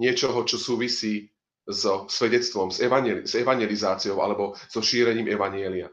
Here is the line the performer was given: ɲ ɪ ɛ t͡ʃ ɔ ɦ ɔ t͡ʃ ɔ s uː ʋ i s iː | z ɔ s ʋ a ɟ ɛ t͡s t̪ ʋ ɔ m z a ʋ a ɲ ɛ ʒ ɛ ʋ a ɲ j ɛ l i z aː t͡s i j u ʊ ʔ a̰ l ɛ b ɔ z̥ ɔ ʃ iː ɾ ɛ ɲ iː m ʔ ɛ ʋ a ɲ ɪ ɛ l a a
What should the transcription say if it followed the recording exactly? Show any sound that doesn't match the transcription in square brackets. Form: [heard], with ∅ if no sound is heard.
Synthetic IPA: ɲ ɪ ɛ t͡ʃ ɔ ɦ ɔ t͡ʃ ɔ s uː ʋ i s iː | z ɔ s ʋ [ɛ] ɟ ɛ t͡s t̪ ʋ ɔ m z [ɛ] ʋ a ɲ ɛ [z] ɛ ʋ a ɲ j ɛ l i z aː t͡s i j [ɔ] ʊ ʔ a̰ l ɛ b ɔ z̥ ɔ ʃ iː ɾ ɛ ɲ iː m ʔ ɛ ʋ a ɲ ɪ ɛ l [i] a